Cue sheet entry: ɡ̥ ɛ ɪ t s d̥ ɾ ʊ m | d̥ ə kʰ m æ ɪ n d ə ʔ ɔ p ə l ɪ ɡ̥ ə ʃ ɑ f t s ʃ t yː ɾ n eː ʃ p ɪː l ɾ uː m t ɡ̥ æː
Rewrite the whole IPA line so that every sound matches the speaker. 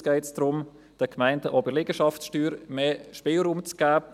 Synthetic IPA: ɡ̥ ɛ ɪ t s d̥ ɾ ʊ m | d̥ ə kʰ m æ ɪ n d ə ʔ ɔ b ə l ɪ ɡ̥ ə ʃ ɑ f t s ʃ t yː ɾ m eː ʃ p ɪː l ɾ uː m t͡s ɡ̥ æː